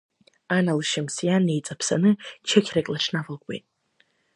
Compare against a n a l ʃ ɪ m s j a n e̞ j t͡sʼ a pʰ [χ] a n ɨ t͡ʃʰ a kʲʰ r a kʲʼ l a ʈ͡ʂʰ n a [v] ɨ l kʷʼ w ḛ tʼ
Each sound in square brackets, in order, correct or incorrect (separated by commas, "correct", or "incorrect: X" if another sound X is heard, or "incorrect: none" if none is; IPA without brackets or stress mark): incorrect: s, correct